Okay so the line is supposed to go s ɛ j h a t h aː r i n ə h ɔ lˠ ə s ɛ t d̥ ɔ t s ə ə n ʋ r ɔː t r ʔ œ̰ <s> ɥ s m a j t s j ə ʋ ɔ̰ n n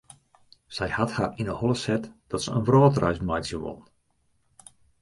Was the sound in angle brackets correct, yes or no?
no